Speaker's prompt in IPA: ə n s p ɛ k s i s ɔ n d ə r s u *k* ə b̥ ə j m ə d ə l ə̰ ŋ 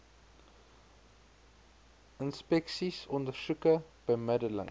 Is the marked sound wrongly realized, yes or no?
no